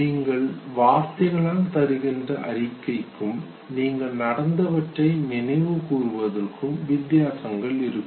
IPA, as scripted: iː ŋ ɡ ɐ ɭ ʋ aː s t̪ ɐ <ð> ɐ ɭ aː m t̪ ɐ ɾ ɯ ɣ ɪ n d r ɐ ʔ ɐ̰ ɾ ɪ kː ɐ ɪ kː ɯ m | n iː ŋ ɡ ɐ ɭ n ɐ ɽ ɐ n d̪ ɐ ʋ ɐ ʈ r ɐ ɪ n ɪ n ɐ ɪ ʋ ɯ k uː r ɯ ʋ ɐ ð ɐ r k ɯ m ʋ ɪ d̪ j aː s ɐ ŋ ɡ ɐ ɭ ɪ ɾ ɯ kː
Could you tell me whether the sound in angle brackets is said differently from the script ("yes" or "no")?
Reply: yes